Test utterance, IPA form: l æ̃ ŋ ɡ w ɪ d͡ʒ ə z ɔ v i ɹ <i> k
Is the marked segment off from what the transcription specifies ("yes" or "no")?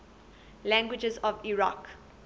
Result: yes